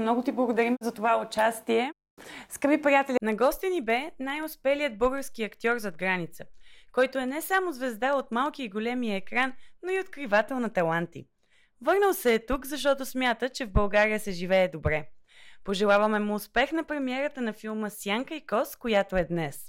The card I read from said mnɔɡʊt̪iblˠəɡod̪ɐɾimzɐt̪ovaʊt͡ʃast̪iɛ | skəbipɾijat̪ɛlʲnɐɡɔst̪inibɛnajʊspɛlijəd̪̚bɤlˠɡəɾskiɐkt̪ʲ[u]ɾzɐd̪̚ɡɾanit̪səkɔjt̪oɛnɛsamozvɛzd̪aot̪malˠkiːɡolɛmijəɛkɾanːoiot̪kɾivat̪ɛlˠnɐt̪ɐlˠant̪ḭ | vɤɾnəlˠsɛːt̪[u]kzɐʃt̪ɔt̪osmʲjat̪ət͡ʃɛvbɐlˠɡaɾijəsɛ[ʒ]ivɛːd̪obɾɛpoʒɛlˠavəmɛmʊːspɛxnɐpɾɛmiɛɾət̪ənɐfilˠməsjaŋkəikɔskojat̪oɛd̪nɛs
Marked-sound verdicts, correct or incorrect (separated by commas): incorrect, correct, correct